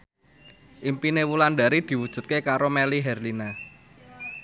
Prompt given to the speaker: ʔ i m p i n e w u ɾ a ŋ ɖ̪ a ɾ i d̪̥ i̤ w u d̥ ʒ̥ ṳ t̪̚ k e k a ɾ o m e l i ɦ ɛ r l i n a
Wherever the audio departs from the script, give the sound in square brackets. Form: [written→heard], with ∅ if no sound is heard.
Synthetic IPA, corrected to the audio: ʔ i m p i n e w u [ɾ→l] a [ŋ→n] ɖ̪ a ɾ i d̪̥ i̤ w u d̥ ʒ̥ ṳ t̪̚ k e k a ɾ o m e l i ɦ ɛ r l i n a